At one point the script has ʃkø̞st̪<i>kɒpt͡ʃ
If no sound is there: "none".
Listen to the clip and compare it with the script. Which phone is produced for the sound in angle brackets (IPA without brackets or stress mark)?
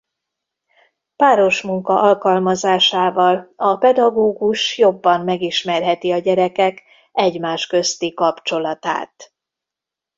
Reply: i